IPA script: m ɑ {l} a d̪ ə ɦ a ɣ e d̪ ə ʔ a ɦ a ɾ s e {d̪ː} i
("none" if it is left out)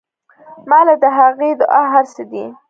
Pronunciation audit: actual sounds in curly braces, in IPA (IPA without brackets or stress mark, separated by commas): l, d̪